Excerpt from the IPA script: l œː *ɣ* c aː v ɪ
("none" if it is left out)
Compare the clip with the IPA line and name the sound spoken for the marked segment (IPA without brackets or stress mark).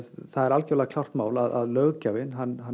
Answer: ɣ